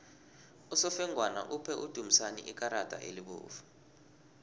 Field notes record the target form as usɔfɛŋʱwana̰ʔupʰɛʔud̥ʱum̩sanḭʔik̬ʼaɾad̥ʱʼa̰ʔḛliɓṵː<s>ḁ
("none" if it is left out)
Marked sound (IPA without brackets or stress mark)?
f